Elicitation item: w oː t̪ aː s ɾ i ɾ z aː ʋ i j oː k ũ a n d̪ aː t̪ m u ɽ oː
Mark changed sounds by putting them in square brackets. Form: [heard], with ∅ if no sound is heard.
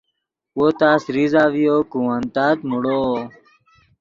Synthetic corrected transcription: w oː t̪ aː s ɾ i [∅] z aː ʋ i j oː k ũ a n [t̪] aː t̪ m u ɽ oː